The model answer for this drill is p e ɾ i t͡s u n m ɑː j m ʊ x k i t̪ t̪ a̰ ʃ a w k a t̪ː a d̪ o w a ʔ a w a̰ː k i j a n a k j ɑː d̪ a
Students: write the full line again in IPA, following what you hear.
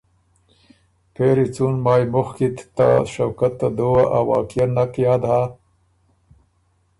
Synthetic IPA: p e ɾ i t͡s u n m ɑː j m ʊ x k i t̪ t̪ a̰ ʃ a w k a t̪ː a d̪ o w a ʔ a w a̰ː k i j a n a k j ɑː d̪ a